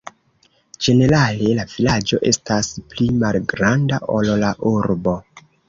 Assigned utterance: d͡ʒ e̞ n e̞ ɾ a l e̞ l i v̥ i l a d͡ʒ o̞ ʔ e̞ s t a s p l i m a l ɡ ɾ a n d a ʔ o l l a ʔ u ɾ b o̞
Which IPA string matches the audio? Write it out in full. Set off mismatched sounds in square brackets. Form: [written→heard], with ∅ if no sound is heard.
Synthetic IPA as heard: d͡ʒ e̞ n e̞ ɾ a l e̞ l [i→a] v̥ i l a d͡ʒ o̞ ʔ e̞ s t a s p l i m a l ɡ ɾ a n d a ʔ o l l a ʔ u ɾ b o̞